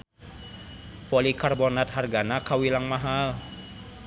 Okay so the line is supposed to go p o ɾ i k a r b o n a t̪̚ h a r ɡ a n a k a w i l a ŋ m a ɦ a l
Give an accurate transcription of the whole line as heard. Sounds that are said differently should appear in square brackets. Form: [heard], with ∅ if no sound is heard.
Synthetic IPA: p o [l] i k a r b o n a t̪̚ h a r ɡ a n a k a w i l a ŋ m a ɦ a l